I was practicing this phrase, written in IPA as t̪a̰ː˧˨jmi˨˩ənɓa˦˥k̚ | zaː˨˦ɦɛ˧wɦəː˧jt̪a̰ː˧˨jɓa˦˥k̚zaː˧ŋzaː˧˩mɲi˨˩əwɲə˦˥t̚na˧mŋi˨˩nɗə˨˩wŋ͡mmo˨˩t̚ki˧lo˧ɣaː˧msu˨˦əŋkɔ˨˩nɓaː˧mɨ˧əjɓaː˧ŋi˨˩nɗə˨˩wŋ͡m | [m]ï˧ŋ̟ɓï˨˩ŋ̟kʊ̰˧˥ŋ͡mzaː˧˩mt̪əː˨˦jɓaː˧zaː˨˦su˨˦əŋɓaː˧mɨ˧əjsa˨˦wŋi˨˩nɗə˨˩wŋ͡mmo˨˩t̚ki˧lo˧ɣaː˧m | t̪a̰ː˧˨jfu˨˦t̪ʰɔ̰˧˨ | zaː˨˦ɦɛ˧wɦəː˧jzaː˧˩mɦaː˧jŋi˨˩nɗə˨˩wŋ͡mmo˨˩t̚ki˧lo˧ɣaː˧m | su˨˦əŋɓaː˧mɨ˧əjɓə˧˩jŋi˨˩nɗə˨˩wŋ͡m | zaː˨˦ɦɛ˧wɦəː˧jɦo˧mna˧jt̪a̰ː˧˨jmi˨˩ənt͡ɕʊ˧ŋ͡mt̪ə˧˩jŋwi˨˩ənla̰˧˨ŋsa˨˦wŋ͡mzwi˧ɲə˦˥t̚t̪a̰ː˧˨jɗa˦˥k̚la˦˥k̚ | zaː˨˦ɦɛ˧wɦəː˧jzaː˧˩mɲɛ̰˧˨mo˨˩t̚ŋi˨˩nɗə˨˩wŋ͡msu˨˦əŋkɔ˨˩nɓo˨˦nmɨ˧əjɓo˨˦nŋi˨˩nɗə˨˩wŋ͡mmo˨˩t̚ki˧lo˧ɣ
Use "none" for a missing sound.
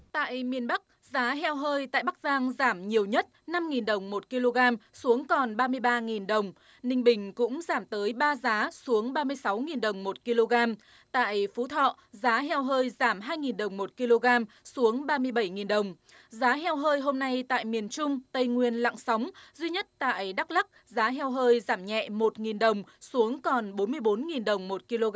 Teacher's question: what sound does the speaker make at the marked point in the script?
n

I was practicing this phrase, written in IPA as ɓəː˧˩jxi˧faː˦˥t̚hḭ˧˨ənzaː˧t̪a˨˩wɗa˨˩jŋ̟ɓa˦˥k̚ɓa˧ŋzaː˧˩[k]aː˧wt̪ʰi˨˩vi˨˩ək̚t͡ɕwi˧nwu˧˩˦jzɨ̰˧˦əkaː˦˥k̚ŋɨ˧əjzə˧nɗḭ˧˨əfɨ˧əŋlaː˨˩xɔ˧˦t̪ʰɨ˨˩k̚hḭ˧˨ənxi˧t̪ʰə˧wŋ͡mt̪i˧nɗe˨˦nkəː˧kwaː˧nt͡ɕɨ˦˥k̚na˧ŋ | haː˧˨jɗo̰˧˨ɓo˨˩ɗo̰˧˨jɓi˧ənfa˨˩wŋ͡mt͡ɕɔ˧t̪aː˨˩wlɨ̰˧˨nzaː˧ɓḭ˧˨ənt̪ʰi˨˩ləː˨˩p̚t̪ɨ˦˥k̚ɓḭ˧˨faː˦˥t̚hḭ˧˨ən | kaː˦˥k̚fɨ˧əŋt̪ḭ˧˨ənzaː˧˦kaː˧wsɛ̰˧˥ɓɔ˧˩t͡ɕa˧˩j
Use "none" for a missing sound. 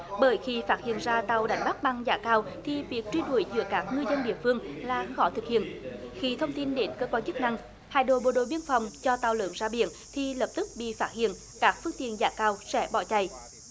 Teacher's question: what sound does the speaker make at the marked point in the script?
k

